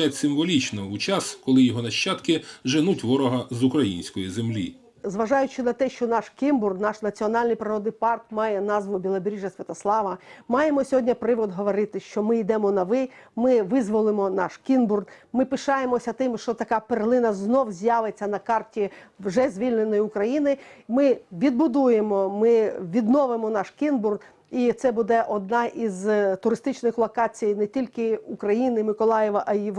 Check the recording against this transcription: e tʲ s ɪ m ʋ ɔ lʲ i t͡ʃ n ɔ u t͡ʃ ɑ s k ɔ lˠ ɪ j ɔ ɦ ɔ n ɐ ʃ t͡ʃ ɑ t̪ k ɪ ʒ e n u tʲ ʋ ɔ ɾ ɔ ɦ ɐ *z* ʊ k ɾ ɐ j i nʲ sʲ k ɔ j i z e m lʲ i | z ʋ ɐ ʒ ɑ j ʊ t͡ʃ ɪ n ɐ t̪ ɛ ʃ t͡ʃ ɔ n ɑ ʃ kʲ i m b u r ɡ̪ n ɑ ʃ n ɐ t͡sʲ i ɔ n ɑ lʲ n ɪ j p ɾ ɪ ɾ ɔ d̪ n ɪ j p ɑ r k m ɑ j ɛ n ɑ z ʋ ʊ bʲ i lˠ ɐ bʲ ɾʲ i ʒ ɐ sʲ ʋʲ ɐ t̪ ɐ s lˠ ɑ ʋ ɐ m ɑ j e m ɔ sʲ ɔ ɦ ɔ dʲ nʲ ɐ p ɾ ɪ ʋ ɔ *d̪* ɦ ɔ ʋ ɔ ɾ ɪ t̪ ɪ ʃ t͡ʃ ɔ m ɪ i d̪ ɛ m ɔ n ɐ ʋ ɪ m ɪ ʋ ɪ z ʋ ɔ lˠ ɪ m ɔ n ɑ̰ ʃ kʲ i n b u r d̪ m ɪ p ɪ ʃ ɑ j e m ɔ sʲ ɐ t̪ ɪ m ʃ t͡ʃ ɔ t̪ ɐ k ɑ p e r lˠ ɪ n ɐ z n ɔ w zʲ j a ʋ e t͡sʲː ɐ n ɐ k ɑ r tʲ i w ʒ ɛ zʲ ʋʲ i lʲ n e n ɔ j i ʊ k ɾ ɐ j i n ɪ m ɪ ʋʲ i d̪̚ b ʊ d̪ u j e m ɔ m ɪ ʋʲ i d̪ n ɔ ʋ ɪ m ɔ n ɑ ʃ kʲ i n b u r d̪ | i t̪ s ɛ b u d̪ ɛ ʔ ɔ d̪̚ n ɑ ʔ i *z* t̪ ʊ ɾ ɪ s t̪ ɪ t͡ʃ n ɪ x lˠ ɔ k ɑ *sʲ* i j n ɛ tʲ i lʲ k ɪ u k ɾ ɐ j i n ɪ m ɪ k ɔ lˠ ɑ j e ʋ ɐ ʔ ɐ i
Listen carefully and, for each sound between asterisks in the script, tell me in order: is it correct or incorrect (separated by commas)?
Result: correct, correct, correct, incorrect